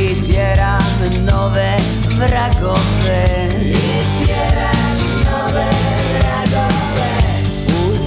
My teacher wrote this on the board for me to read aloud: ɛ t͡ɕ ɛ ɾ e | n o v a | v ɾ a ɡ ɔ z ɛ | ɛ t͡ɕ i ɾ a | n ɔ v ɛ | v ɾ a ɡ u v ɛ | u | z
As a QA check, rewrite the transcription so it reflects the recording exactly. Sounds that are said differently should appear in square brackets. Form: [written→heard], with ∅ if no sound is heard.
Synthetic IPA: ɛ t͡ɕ ɛ ɾ [e→a] | n [o→ɔ] v [a→ɛ] | v ɾ a ɡ ɔ [z→v] ɛ | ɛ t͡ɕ [i→ɛ] ɾ a | n ɔ v ɛ | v ɾ a ɡ [u→ɔ] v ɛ | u | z